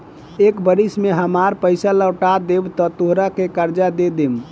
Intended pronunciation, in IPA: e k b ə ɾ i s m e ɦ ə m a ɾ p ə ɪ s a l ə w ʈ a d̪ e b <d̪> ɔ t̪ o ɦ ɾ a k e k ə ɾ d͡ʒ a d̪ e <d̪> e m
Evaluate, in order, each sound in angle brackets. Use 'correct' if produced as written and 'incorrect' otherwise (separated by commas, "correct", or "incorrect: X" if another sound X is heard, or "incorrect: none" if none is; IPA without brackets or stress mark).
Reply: incorrect: t̪, correct